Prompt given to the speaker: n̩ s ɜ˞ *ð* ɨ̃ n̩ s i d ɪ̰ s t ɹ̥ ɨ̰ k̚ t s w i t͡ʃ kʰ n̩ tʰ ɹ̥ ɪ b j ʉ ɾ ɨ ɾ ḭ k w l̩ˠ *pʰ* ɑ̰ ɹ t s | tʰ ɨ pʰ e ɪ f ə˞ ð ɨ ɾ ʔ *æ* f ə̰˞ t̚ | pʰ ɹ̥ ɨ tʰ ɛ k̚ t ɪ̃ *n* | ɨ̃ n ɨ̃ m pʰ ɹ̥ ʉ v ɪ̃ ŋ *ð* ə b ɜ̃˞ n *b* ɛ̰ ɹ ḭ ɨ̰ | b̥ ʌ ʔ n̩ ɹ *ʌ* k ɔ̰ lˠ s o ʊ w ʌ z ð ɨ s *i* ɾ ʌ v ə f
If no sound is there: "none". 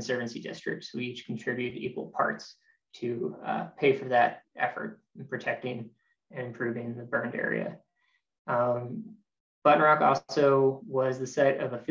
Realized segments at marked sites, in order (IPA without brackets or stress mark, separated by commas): v, pʰ, ɛ, ŋ, ð, d, ɑ, ɛ